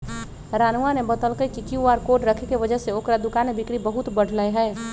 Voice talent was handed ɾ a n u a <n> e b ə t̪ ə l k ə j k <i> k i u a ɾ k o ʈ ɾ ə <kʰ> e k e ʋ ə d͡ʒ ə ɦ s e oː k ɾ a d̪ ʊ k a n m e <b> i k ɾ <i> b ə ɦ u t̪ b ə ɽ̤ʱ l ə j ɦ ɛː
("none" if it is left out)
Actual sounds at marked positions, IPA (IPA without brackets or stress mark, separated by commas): n, i, kʰ, b, i